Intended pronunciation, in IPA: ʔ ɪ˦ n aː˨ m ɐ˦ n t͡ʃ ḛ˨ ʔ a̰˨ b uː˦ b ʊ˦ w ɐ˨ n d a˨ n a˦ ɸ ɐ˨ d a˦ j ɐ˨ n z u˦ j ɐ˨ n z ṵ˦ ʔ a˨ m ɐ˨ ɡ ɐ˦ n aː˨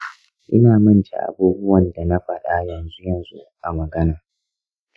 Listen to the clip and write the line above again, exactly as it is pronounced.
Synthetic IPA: ʔ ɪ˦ n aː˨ m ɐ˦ n t͡ʃ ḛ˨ ʔ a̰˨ b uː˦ b ʊ˦ w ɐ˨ n d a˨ n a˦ ɸ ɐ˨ ɗ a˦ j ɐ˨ n z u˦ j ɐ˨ n z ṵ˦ ʔ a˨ m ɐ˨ ɡ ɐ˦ n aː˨